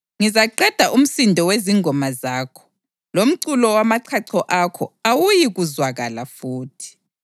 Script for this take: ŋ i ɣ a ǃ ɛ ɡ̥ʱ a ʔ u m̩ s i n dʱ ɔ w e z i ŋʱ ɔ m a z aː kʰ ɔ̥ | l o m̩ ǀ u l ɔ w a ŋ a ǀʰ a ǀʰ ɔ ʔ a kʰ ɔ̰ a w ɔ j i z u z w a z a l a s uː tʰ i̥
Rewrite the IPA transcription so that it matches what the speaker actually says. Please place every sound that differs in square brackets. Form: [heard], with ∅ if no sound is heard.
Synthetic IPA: ŋ i [z] a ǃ ɛ [d̥ʱ] a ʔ u m̩ s i n dʱ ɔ w e z i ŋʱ ɔ m a z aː kʰ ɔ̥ | l o m̩ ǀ u l ɔ w a [m] a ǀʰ a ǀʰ ɔ ʔ a kʰ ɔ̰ a w [u] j i [ɣ] u z w a [ɣ] a l a [f] uː tʰ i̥